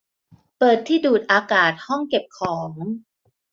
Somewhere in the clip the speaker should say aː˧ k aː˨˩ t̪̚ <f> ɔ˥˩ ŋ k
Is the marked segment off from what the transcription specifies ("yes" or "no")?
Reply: yes